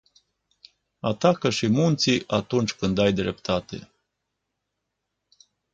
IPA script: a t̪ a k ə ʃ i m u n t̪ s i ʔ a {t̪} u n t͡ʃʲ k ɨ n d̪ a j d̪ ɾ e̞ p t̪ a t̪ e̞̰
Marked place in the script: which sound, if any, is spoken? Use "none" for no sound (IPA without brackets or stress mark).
t̪